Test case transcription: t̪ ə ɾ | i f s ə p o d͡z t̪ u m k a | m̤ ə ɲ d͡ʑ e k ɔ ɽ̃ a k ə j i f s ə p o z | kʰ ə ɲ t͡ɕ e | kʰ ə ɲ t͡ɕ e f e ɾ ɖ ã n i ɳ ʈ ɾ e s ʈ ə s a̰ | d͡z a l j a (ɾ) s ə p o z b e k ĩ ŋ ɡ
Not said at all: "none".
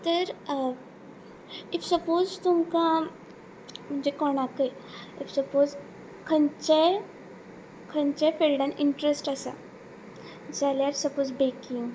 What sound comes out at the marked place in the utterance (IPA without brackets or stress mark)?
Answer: ɾ